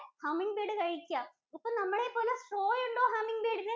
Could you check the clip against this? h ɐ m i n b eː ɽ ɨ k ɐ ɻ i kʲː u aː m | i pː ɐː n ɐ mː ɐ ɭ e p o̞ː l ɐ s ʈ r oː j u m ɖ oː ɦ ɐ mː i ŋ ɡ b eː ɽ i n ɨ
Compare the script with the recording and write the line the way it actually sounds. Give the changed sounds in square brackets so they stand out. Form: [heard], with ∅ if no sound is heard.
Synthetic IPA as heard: h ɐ m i [ŋ] b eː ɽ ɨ k ɐ ɻ i kʲː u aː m | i pː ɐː n ɐ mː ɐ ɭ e p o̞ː l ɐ s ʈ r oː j u [ɳ] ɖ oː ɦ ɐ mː i ŋ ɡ b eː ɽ i n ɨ